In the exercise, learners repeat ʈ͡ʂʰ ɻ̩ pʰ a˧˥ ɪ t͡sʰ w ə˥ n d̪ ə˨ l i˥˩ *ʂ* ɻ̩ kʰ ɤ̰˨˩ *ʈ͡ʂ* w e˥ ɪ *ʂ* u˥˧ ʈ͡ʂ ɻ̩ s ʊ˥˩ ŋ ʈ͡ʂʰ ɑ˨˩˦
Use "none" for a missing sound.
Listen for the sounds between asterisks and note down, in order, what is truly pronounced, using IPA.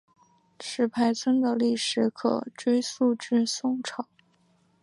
ʂ, ʈ͡ʂ, s

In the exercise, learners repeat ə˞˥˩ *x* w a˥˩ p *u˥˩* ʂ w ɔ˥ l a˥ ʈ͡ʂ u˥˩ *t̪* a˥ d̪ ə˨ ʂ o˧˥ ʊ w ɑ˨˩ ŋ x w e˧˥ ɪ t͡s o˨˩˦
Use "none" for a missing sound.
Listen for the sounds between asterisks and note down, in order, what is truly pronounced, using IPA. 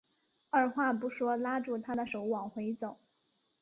x, u˧˥, t̪ʰ

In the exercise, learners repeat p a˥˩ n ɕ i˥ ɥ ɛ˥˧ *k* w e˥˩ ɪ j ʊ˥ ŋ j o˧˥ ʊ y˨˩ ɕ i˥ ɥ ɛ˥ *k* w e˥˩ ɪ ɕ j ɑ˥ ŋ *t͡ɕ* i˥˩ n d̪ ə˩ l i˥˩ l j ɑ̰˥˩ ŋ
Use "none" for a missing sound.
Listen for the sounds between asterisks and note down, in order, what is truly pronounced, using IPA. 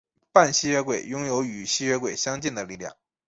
k, k, t͡ɕ

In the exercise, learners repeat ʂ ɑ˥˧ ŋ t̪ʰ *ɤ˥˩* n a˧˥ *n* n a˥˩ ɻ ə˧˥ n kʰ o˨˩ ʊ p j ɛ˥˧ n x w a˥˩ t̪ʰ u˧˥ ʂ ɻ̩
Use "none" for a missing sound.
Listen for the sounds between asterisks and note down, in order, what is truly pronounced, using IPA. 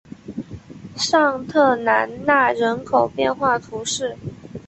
ɤ˥˩, n

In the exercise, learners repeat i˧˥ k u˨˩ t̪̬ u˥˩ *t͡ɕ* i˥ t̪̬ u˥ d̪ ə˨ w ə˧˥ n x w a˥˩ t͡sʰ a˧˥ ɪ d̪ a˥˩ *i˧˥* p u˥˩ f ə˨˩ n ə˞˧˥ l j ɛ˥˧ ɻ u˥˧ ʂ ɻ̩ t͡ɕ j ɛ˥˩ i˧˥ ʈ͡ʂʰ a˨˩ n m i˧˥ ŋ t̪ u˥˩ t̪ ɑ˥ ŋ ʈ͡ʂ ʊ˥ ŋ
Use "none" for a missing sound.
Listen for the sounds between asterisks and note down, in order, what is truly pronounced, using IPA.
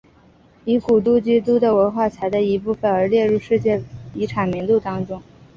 t͡ɕ, i˧˥

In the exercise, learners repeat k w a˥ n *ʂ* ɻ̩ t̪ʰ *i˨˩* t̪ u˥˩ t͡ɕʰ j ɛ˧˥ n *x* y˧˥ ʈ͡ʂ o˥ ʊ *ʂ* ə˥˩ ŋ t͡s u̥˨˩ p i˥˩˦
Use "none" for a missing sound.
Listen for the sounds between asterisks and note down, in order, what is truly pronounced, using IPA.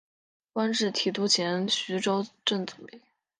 ʈ͡ʂ, i˨˩, ɕ, ʈ͡ʂ

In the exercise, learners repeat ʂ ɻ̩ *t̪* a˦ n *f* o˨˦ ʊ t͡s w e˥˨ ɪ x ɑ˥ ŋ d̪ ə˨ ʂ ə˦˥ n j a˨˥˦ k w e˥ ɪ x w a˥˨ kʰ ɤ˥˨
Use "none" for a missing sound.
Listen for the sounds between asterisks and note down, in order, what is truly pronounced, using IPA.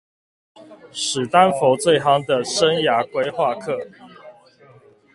t̪, f

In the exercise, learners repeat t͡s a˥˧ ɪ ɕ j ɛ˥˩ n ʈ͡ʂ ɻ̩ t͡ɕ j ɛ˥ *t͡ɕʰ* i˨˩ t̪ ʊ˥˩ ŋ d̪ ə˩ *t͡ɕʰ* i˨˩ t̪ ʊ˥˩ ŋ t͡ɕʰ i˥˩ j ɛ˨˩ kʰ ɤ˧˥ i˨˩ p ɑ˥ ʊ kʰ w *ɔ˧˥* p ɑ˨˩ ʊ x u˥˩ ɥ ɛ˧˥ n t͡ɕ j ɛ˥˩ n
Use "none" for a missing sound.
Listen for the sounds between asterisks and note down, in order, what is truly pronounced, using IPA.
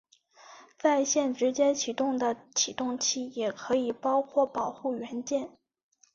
t͡ɕʰ, t͡ɕʰ, ɔ˥˩

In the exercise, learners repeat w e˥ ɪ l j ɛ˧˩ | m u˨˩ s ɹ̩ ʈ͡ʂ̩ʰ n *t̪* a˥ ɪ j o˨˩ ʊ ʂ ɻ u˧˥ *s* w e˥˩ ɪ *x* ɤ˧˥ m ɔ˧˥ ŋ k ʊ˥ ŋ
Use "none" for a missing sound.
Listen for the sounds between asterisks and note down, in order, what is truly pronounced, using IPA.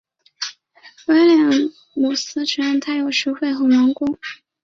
t̪ʰ, x, x

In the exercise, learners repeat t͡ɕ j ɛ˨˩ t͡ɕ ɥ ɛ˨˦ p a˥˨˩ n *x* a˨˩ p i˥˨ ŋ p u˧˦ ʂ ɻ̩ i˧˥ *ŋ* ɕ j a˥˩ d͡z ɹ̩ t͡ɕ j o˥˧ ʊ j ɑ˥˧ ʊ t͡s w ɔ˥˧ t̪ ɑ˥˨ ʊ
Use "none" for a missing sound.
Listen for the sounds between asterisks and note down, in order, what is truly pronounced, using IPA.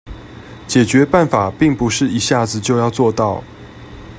f, none

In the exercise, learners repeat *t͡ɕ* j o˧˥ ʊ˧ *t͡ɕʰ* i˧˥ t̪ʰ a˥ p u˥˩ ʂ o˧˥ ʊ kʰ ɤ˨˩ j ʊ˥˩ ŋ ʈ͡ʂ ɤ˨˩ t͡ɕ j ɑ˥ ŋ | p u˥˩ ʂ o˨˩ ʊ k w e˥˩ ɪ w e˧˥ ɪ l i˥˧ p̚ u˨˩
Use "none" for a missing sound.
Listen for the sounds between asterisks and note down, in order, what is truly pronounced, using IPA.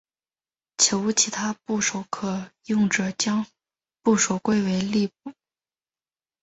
t͡ɕʰ, t͡ɕʰ

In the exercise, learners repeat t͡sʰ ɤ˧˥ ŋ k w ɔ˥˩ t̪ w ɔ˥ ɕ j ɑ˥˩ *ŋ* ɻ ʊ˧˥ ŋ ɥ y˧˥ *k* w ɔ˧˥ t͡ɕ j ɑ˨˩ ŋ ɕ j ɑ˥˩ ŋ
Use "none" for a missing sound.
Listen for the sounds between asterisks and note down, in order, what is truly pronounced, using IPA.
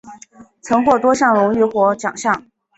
ŋ, x

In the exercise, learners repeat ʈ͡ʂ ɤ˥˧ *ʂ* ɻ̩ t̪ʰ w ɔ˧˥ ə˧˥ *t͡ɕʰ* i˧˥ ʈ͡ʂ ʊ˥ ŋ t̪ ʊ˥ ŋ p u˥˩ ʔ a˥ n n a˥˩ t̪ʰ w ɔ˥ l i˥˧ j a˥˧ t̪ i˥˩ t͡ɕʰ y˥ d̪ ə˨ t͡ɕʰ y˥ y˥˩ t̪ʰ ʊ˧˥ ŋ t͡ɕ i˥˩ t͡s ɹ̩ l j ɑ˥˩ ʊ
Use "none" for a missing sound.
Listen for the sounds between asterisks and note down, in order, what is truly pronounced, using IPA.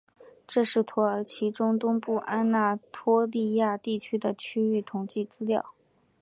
ʂ, t͡ɕʰ

